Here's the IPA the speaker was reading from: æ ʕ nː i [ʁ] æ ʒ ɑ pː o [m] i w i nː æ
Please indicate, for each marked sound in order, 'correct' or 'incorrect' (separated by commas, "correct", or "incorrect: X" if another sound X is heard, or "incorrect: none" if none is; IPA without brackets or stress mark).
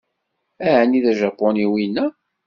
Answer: incorrect: ð, incorrect: n